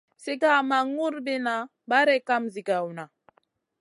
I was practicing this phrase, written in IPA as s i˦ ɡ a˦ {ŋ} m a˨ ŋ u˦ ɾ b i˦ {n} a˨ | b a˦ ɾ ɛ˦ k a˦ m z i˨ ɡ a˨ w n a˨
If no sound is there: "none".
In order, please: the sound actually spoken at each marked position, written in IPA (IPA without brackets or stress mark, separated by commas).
none, n